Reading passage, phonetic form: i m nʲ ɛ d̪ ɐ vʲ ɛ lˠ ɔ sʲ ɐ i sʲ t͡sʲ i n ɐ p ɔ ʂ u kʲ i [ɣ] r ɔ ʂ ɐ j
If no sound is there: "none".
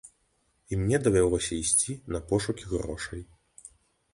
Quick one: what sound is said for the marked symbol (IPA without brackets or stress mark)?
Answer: ɣ